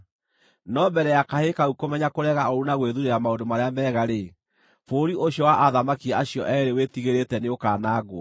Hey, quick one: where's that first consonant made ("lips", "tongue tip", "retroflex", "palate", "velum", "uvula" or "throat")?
tongue tip